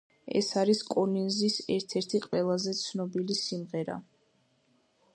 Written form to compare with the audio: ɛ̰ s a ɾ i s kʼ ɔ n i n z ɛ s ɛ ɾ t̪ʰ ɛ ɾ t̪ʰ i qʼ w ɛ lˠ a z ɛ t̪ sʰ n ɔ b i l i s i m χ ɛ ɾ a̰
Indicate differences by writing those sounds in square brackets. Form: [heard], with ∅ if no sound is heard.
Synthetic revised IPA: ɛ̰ s a ɾ i s kʼ ɔ n i n z [i] s ɛ ɾ t̪ʰ ɛ ɾ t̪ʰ i qʼ w ɛ lˠ a z ɛ t̪ sʰ n ɔ b i l i s i m [ʁ] ɛ ɾ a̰